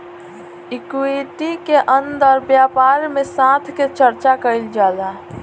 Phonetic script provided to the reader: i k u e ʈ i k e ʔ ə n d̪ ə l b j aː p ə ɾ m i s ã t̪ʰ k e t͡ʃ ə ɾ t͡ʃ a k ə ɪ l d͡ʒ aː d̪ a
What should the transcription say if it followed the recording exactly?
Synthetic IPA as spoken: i k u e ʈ i k e ʔ ə n d̪ ə ɾ b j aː p a ɾ m e s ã t̪ʰ k e t͡ʃ ə ɾ t͡ʃ a k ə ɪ l d͡ʒ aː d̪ a